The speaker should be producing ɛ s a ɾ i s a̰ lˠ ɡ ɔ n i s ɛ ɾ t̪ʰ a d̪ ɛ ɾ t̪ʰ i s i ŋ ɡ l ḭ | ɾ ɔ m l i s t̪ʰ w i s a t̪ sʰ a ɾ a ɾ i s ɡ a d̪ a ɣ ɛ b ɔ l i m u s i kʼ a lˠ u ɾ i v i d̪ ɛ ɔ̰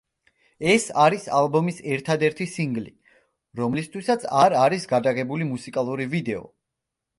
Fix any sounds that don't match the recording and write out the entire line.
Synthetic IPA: ɛ s a ɾ i s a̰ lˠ b ɔ m i s ɛ ɾ t̪ʰ a d̪ ɛ ɾ t̪ʰ i s i ŋ ɡ l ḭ | ɾ ɔ m l i s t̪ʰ w i s a t̪ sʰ a ɾ a ɾ i s ɡ a d̪ a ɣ ɛ b u l i m u s i kʼ a lˠ u ɾ i v i d̪ ɛ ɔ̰